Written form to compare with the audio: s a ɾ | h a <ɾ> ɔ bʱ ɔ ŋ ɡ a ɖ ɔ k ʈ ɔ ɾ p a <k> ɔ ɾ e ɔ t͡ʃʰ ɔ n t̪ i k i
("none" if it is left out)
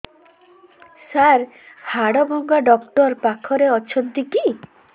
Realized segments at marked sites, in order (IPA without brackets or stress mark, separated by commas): ɽ, kʰ